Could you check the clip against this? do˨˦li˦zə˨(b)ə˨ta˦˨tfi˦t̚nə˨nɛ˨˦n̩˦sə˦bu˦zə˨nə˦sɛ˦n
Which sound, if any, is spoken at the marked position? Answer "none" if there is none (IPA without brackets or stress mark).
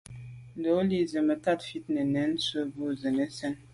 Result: m